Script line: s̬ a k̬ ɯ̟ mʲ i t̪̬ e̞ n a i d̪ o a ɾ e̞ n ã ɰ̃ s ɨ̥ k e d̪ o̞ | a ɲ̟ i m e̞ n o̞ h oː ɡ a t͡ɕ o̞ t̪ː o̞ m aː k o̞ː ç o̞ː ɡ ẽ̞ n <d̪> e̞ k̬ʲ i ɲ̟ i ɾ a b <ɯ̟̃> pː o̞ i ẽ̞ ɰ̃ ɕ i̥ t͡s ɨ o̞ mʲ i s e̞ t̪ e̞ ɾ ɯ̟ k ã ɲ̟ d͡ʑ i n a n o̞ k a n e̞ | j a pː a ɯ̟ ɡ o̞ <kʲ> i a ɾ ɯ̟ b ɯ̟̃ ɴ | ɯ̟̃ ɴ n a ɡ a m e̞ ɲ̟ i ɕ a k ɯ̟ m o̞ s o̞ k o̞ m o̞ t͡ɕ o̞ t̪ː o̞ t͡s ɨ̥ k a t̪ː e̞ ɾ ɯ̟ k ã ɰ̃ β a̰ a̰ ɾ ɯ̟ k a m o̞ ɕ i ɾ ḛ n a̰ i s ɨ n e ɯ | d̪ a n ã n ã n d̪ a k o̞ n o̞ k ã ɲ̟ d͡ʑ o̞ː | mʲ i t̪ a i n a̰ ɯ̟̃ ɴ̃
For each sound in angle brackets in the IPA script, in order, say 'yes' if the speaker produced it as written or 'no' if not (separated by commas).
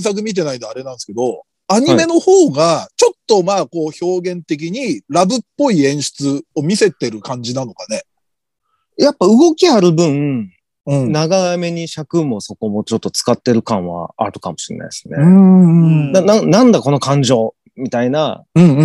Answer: no, no, yes